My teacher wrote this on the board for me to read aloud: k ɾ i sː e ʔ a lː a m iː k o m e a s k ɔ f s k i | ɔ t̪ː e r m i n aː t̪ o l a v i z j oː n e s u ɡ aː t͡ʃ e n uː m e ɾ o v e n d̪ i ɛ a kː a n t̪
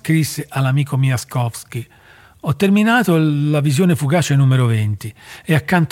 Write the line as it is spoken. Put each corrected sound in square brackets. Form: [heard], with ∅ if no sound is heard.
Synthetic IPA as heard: k ɾ i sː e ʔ a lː a m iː k o m [i] a s k ɔ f s k i | ɔ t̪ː e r m i n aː t̪ o l a v i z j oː n e [f] u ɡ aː t͡ʃ e n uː m e ɾ o v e n [t̪] i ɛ a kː a n t̪